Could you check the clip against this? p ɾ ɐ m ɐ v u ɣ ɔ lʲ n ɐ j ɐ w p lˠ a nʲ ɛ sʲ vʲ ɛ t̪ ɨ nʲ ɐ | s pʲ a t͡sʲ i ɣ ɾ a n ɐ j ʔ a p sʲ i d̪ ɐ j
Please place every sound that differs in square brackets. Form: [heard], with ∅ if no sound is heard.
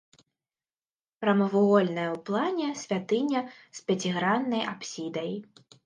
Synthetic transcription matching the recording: p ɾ ɐ m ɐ v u ɣ ɔ lʲ n ɐ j ɐ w p lˠ a nʲ ɛ sʲ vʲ [a] t̪ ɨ nʲ ɐ | s pʲ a t͡sʲ i ɣ ɾ a [nː] ɐ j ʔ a p sʲ i d̪ ɐ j